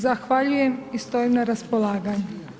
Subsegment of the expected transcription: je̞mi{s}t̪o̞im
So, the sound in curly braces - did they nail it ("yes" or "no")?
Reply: yes